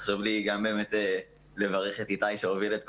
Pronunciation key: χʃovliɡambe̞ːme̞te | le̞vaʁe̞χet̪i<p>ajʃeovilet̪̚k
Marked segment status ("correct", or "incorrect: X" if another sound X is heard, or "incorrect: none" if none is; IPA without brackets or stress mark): incorrect: t